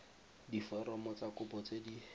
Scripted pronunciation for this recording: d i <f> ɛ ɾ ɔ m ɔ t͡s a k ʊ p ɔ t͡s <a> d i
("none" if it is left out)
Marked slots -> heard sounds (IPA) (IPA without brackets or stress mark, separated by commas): f, e